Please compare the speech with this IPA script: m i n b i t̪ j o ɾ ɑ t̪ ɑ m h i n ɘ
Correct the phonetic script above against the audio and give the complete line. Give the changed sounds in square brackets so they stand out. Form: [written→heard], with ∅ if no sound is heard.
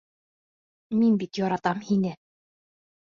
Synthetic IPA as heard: m i n b i t̪ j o ɾ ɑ t̪ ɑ m h i n ɘ